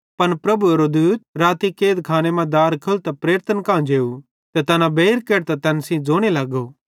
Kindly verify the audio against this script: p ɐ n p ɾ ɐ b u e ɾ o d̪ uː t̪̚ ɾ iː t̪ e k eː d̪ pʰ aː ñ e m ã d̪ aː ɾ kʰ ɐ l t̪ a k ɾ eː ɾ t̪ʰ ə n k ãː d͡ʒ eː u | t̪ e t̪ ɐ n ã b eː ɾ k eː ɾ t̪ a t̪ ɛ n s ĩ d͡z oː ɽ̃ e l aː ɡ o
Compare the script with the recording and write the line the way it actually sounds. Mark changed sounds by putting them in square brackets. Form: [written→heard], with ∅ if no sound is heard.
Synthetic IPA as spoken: p ɐ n p ɾ ɐ b u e ɾ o d̪ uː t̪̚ ɾ [iː→aː] t̪ [e→i] k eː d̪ [pʰ→kʰ] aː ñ e m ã d̪ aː ɾ kʰ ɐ l t̪ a [k→p] ɾ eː ɾ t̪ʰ ə n k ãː d͡ʒ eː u | t̪ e t̪ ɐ n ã b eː ɾ k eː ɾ t̪ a t̪ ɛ n s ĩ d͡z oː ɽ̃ e l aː ɡ o

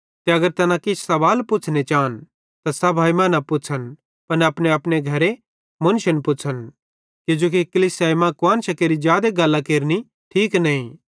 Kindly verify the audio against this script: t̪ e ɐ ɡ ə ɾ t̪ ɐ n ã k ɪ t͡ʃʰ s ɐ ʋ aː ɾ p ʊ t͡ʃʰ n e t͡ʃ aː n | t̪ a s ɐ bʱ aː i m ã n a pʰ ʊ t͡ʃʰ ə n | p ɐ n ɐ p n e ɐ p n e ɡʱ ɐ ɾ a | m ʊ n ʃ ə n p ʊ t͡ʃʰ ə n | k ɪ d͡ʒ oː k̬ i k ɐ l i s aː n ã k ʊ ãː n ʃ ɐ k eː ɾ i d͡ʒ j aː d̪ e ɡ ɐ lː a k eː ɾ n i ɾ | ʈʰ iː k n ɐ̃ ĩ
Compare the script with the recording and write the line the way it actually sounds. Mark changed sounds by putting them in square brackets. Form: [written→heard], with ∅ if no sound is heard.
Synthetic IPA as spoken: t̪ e ɐ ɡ ə ɾ t̪ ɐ n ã k ɪ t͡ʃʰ s ɐ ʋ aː [ɾ→l] p ʊ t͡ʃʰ n e t͡ʃ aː n | t̪ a s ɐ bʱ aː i m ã n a [pʰ→p] ʊ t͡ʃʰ ə n | p ɐ n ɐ p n e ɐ p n e ɡʱ ɐ ɾ [a→e] | m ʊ n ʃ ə n p ʊ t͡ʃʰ ə n | k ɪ d͡ʒ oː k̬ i k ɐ l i s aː [n→m] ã k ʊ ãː n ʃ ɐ k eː ɾ i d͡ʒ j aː d̪ e ɡ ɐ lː a k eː ɾ n i [ɾ→∅] | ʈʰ iː k n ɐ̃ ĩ

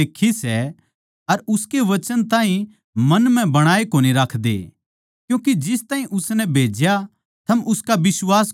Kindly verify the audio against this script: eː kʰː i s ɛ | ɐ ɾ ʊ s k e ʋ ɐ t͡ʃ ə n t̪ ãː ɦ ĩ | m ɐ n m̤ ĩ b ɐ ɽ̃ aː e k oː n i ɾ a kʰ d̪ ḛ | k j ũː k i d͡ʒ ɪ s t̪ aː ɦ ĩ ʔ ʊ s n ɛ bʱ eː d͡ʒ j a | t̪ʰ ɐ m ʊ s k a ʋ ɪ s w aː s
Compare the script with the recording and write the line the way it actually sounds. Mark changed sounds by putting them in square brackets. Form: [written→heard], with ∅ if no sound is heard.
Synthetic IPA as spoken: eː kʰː i s ɛ | ɐ ɾ ʊ s k e ʋ ɐ t͡ʃ ə n t̪ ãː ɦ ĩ | m ɐ n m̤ [ĩ→ɛ̃] b ɐ ɽ̃ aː e k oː n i ɾ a kʰ d̪ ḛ | k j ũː k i d͡ʒ ɪ s t̪ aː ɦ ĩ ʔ ʊ s n ɛ bʱ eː d͡ʒ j a | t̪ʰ ɐ m ʊ s k a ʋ ɪ s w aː s

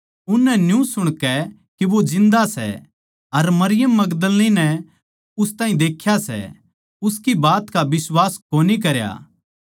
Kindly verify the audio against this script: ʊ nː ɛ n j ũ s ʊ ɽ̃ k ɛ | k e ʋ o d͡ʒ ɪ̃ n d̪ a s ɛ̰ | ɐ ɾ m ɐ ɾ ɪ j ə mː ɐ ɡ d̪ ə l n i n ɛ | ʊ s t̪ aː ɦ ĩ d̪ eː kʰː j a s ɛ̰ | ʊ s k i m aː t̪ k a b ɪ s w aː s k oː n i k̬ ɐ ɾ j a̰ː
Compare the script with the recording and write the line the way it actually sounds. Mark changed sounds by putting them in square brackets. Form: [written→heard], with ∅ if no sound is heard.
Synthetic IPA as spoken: ʊ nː ɛ n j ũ s ʊ ɽ̃ k ɛ | k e ʋ o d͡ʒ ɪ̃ n d̪ a s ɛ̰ | ɐ ɾ m ɐ ɾ ɪ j ə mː ɐ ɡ d̪ ə l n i n ɛ | ʊ s t̪ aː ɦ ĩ d̪ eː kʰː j a s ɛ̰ | ʊ s k i [m→b] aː t̪ k a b ɪ s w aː s k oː n i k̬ ɐ ɾ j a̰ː

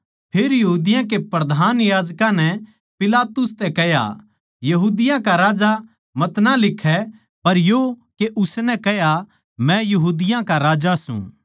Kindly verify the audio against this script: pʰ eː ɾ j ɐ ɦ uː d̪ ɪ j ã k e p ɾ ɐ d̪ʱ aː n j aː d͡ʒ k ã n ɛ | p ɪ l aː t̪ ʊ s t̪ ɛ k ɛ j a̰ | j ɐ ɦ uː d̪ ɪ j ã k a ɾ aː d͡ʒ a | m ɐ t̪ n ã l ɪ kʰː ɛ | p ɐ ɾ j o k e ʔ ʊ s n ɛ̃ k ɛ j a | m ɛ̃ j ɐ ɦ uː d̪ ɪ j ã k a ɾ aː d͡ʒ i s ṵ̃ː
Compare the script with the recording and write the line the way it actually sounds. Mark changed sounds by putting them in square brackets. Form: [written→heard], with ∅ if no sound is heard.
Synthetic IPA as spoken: pʰ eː ɾ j ɐ ɦ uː d̪ ɪ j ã k e p ɾ ɐ d̪ʱ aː n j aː d͡ʒ k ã n ɛ | p ɪ l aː t̪ ʊ s t̪ ɛ k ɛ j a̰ | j ɐ ɦ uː d̪ ɪ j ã k a ɾ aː d͡ʒ a | m ɐ t̪ n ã l ɪ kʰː ɛ | p ɐ ɾ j o k e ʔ ʊ s n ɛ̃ k ɛ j a | m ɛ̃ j ɐ ɦ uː d̪ ɪ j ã k a ɾ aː d͡ʒ [i→a] s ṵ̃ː

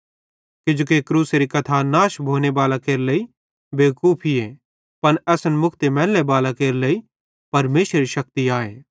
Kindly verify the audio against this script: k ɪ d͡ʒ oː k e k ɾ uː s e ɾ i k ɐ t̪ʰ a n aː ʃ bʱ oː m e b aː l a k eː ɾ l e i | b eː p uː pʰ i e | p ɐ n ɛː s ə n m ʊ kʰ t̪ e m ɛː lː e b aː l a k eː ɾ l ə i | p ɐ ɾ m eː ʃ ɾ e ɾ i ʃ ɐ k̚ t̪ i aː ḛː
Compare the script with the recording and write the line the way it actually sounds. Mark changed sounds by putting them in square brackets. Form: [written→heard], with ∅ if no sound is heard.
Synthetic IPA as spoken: k ɪ d͡ʒ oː k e k ɾ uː s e ɾ i k ɐ t̪ʰ a n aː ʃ bʱ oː [m→n] e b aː l a k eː ɾ l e i | b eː [p→k] uː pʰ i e | p ɐ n ɛː s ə n m ʊ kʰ t̪ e m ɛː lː e b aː l a k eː ɾ l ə i | p ɐ ɾ m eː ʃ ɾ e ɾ i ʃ ɐ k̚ t̪ i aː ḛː

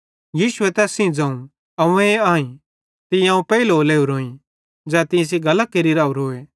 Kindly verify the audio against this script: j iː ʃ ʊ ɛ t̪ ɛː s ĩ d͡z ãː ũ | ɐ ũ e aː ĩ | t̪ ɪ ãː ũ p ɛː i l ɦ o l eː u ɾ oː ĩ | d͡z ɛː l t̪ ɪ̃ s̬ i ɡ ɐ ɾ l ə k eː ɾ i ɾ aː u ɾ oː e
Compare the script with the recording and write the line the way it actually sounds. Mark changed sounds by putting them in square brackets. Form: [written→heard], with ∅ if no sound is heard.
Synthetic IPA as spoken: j iː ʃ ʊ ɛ t̪ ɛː s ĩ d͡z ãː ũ | ɐ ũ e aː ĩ | t̪ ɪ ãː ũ p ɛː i l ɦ o l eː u ɾ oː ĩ | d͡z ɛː [l→∅] t̪ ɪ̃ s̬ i ɡ ɐ [ɾ→∅] l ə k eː ɾ i ɾ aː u ɾ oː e

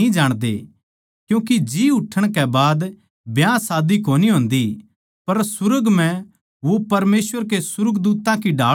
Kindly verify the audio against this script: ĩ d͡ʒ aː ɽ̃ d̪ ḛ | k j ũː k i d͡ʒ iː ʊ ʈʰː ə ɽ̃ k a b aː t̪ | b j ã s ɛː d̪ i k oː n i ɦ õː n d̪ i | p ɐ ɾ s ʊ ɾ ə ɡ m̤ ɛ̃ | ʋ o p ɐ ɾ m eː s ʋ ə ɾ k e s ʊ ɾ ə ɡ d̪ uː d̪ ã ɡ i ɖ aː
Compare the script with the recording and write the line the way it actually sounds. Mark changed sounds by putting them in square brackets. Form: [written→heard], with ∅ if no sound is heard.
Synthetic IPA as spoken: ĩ d͡ʒ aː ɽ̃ d̪ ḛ | k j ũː k i d͡ʒ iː ʊ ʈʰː ə ɽ̃ k [a→ɛ] b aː [t̪→d̪] | b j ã s [ɛː→aː] d̪ i k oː n i ɦ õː n d̪ i | p ɐ ɾ s ʊ ɾ ə ɡ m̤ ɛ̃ | ʋ o p ɐ ɾ m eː s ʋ ə ɾ k e s ʊ ɾ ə ɡ d̪ uː [d̪→t̪] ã [ɡ→k] i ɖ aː

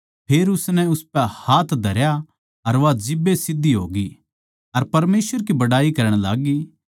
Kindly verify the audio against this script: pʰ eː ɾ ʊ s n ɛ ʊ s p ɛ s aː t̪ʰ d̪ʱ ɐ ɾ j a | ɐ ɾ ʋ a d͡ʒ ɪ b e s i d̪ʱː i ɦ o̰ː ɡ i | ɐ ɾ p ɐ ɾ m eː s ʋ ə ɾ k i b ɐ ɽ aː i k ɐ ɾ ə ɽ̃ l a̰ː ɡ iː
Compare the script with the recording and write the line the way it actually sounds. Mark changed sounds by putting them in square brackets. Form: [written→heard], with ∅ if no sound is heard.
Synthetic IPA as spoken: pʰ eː ɾ ʊ s n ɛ ʊ s p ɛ [s→h] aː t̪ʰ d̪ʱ ɐ ɾ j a | ɐ ɾ ʋ a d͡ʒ ɪ b e s [i→ɪ] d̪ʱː i ɦ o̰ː ɡ i | ɐ ɾ p ɐ ɾ m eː s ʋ ə ɾ k i b ɐ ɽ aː i k ɐ ɾ ə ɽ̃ l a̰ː ɡ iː

